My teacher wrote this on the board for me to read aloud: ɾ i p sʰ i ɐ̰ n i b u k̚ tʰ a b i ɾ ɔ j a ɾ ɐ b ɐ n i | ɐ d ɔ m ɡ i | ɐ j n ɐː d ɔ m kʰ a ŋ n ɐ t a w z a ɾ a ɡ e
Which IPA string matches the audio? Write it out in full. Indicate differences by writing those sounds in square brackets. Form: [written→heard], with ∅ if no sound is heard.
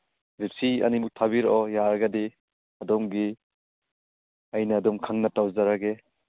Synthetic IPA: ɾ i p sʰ i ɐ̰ n i [b→m] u k̚ tʰ a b i ɾ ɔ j a ɾ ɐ [b→ɡ] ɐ [n→d] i | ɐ d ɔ m ɡ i | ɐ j n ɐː d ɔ m kʰ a ŋ n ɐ t a w z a ɾ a ɡ e